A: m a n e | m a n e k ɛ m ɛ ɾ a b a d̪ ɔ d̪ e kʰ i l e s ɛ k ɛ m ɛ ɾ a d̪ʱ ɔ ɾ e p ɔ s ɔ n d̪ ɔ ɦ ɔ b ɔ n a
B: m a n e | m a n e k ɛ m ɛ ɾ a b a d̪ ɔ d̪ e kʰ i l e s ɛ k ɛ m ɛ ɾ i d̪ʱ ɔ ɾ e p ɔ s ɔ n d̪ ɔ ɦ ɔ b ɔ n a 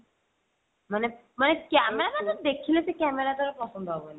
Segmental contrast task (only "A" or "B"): A